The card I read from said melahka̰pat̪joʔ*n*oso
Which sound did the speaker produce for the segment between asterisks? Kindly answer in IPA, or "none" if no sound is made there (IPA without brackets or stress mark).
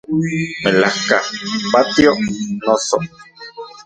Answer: n